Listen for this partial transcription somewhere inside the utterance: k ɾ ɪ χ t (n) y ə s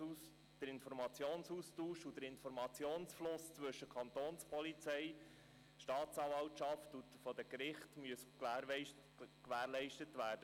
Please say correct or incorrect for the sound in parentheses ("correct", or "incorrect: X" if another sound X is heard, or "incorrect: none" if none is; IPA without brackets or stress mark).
incorrect: m